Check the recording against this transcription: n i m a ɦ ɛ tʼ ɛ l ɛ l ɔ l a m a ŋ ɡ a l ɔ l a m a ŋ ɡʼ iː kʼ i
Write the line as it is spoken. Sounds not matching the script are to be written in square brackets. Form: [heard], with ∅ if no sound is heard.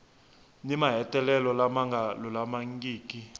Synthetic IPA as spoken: n i m a ɦ ɛ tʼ ɛ l ɛ l ɔ l a m a ŋ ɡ a l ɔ l a m a ŋ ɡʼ iː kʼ i

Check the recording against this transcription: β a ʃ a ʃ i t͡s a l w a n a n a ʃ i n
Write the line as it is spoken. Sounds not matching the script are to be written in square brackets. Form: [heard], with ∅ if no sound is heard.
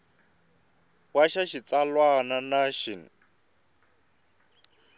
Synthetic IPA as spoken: [w] a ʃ a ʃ i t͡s a l w a n a n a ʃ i n

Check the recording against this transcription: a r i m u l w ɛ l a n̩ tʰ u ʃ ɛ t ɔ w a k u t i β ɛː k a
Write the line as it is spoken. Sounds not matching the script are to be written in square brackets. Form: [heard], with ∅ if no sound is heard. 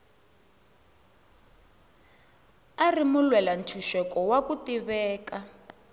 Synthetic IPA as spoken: a r i m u l w ɛ l a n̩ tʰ u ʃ ɛ [k] ɔ w a k u t i β ɛː k a

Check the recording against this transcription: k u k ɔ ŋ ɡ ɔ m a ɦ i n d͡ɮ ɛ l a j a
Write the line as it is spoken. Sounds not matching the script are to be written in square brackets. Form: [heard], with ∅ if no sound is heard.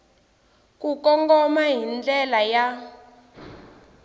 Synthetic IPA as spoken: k u k ɔ ŋ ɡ ɔ m a ɦ i n d͡ɮ ɛ l a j a

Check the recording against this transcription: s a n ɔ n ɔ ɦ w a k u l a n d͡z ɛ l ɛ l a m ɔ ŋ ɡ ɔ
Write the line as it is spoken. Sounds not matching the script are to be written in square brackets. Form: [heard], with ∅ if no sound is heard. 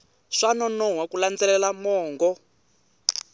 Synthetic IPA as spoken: [ʂ] a n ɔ n ɔ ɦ w a k u l a n d͡z ɛ l ɛ l a m [ɔː] ŋ ɡ ɔ

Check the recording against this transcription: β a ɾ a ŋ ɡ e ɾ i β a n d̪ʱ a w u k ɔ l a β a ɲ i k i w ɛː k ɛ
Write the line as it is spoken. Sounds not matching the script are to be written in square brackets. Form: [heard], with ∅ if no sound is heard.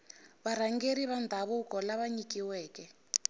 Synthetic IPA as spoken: β a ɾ a ŋ ɡ e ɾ i β a n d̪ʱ a [β] u k ɔ l a β a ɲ i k i w ɛː k ɛ

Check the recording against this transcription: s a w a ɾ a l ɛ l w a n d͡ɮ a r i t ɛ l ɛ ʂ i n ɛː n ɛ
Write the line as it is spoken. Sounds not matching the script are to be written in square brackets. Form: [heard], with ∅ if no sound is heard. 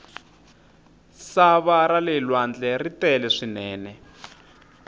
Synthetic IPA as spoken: s a [β] a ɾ a l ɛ l w a n d͡ɮ [ɛ] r i t ɛ l ɛ ʂ i n ɛː n ɛ

